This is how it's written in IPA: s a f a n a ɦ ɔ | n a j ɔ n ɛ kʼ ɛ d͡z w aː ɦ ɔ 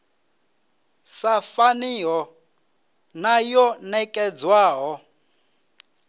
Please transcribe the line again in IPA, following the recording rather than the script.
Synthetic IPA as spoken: s a f a n i ɦ ɔ | n a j ɔ n ɛ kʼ ɛ d͡z w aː ɦ ɔ